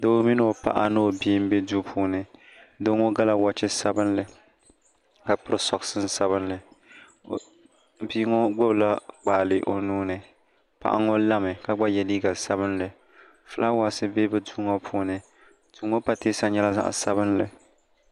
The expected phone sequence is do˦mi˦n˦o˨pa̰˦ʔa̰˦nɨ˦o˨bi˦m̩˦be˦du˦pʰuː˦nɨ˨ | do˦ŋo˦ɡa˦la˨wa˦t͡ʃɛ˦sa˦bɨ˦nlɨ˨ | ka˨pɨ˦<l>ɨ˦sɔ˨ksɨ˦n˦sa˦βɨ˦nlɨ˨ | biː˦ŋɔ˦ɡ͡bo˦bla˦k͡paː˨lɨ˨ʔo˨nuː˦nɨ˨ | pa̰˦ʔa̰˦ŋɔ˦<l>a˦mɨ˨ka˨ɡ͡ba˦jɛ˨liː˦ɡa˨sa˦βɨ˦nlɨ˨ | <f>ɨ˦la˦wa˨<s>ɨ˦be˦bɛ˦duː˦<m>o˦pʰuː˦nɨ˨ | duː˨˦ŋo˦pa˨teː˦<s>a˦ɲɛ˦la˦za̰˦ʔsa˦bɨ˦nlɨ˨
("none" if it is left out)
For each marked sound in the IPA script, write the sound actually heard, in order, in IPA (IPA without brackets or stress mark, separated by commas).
ɾ, l, f, s, ŋ, s